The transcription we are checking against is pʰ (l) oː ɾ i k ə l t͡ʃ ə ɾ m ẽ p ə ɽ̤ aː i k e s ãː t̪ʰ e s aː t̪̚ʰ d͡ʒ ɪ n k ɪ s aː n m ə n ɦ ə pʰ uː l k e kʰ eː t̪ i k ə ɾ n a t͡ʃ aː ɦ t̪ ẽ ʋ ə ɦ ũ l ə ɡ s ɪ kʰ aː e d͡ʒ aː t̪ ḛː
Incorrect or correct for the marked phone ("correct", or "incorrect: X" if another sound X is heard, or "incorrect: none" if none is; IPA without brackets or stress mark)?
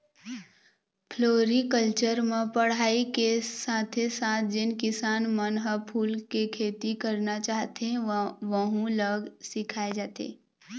correct